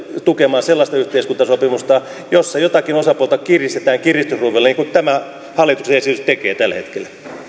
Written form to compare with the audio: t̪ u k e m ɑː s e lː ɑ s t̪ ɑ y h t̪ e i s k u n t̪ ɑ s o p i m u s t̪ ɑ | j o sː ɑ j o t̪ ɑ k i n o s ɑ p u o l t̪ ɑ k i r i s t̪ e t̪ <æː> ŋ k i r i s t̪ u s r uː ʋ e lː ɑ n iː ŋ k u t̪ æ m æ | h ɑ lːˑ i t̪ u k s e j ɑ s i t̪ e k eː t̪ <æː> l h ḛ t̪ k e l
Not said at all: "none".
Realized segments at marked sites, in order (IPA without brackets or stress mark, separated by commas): æː, æ